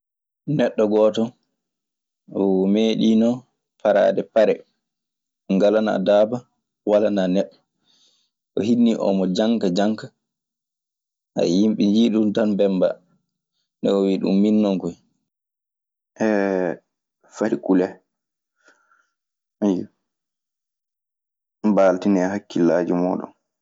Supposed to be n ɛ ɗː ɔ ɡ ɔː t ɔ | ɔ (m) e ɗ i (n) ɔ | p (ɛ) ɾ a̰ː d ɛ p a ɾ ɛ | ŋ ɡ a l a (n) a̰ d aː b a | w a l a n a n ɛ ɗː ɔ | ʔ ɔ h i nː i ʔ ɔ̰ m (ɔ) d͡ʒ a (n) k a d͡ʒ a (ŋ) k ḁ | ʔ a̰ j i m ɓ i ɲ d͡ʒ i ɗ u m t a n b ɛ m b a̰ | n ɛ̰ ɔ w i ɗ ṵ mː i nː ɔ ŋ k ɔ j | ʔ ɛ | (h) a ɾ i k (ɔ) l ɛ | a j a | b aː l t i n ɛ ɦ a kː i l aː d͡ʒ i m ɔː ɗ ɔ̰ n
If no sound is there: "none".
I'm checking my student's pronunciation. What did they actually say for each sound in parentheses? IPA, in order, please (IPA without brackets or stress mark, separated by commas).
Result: m, n, a, n, ɔ, ŋ, ŋ, f, u